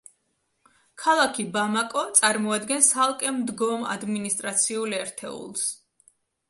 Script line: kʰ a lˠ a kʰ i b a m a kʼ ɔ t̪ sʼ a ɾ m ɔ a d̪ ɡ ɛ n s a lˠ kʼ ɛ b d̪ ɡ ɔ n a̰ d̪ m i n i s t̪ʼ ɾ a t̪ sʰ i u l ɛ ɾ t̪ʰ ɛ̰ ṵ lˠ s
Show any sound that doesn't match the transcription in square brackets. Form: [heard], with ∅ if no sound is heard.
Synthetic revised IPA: kʰ a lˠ a kʰ i b a m a kʼ ɔ t̪ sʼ a ɾ m ɔ a d̪ ɡ ɛ n s a lˠ kʼ ɛ [m] d̪ ɡ ɔ [m] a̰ d̪ m i n i s t̪ʼ ɾ a t̪ sʰ i u l ɛ ɾ t̪ʰ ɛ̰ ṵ lˠ s